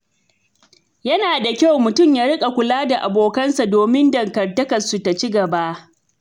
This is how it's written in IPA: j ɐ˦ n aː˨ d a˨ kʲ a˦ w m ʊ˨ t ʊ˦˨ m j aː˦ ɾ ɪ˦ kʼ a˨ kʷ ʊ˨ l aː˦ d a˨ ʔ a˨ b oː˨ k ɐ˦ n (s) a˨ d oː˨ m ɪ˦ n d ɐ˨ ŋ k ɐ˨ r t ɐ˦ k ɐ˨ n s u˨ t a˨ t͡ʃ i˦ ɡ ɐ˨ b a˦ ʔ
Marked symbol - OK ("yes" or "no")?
yes